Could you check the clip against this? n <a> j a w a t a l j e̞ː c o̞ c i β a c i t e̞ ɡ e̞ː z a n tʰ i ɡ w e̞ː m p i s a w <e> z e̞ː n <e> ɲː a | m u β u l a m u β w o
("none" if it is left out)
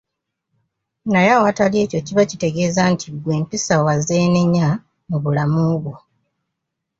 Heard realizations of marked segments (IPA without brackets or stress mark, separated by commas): a, a, e